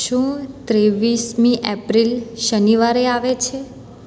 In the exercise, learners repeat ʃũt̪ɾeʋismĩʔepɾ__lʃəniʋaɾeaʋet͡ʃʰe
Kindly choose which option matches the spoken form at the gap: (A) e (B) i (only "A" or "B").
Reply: B